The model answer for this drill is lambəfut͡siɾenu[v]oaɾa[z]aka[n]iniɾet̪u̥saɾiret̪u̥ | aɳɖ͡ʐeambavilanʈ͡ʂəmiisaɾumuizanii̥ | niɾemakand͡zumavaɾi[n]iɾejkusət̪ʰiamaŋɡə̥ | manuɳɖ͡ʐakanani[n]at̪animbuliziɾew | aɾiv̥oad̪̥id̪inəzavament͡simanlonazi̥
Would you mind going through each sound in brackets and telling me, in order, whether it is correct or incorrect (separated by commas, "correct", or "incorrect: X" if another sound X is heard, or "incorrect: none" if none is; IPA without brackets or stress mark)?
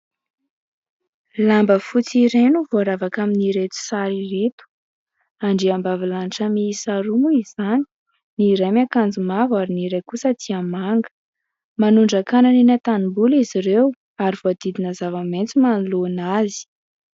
correct, incorrect: v, incorrect: m, correct, correct